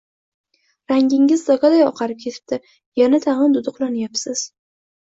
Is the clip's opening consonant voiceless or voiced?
voiced